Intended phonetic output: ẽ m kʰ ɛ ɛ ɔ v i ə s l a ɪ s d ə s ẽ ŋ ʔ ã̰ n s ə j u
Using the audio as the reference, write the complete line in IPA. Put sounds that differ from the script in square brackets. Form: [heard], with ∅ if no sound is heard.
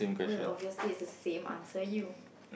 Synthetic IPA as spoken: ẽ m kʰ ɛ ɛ ɔ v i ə s l [i] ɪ s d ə s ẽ [m] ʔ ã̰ n s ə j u